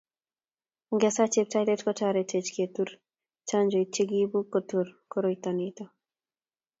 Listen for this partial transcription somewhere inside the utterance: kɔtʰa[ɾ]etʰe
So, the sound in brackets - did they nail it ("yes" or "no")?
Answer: yes